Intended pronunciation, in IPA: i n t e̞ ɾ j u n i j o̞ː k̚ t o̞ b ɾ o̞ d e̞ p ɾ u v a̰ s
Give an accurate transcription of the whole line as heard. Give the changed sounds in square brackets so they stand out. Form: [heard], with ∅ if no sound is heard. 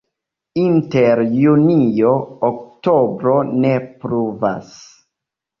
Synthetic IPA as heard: i n t e̞ ɾ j u n i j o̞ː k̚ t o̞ b ɾ o̞ [n] e̞ p ɾ u v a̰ s

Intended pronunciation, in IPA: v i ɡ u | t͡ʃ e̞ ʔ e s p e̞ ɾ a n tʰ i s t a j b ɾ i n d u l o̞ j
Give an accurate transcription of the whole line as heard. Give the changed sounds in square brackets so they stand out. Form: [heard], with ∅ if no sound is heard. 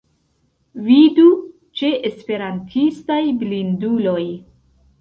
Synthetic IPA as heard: v i [d] u | t͡ʃ e̞ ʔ e s p e̞ ɾ a n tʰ i s t a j b [l] i n d u l o̞ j

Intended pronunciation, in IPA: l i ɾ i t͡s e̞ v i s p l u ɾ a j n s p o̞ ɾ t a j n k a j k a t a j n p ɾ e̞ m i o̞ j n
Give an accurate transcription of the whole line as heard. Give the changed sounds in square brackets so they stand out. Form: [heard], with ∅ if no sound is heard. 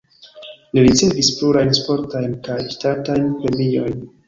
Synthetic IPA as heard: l i ɾ i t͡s e̞ v i s p l u ɾ a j n s p o̞ ɾ t a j n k a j [t] a t a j n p ɾ e̞ m i o̞ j n

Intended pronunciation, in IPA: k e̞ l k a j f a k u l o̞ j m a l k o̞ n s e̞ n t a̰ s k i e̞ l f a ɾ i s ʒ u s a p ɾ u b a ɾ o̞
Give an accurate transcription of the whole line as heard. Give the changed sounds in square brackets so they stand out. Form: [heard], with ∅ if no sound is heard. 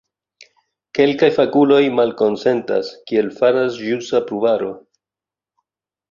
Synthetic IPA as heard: k e̞ l k a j f a k u l o̞ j m a l k o̞ n s e̞ n t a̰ s k i e̞ l f a ɾ [a] s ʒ u s a p ɾ u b a ɾ o̞

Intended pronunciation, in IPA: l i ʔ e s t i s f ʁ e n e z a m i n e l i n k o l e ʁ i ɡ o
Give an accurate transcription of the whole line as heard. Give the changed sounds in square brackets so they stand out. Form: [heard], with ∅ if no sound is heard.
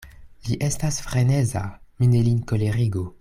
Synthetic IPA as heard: l i ʔ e s t [a] s f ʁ e n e z a m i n e l i n k o l e ʁ i ɡ o

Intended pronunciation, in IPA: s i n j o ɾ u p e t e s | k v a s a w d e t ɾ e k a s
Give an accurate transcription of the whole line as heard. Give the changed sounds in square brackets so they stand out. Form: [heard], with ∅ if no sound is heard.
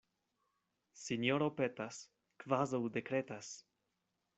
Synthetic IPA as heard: s i n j o ɾ [o] p e t [a] s | k v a [z] a w d e [k] ɾ e [t] a s

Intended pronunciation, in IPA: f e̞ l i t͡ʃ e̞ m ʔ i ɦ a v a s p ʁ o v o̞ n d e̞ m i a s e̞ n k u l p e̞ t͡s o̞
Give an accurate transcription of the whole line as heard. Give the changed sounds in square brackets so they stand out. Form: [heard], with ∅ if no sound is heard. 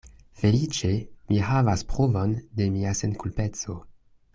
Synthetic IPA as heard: f e̞ l i t͡ʃ e̞ m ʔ i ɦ a v a s p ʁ o v o̞ n d e̞ m i a s e̞ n k u l p e̞ t͡s o̞

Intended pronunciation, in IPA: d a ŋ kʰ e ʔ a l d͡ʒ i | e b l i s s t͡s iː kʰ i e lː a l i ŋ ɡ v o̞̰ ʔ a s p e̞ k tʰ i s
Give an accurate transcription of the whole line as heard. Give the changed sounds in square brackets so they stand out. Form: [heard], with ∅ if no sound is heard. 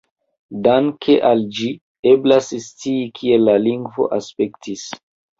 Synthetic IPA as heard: d a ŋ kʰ e ʔ a l d͡ʒ i | e b l [a] s s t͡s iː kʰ i e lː a l i ŋ ɡ v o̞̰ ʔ a s p e̞ k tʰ i s

